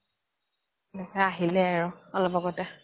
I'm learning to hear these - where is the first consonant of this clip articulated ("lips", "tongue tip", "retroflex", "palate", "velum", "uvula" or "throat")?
throat